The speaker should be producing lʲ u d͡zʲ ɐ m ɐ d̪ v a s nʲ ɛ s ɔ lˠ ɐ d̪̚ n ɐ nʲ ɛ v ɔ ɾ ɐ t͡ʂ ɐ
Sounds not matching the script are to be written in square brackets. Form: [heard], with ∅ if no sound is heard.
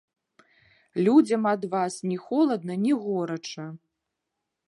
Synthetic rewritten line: lʲ u d͡zʲ ɐ m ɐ d̪ v a s nʲ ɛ [x] ɔ lˠ ɐ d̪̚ n ɐ nʲ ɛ [ɣ] ɔ ɾ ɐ t͡ʂ ɐ